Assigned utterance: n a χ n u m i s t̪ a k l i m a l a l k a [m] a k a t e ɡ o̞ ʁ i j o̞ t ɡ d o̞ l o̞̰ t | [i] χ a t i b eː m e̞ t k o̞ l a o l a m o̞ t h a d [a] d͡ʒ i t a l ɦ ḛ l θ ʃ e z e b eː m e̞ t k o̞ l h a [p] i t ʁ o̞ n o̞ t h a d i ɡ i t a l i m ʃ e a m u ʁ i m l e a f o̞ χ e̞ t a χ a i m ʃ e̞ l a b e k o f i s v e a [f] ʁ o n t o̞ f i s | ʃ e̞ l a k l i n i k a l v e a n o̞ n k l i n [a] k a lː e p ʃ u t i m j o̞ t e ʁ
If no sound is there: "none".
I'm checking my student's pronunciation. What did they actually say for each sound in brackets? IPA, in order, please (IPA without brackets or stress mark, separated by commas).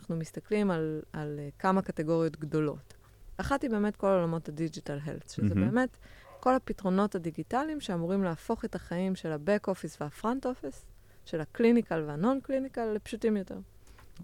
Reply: m, a, i, p, f, i